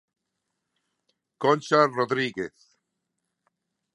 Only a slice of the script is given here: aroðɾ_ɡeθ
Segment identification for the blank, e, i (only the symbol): i